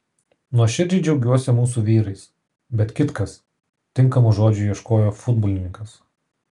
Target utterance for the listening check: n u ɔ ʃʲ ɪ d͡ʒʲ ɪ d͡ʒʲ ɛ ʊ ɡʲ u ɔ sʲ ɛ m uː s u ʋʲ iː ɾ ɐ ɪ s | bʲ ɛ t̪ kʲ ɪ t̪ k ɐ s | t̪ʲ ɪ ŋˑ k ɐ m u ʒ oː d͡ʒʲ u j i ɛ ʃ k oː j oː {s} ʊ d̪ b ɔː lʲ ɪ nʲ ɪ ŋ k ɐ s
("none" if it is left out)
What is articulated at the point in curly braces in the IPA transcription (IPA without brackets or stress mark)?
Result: f